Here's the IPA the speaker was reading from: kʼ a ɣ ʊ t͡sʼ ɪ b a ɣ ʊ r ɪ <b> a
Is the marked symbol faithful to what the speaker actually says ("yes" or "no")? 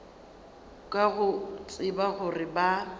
yes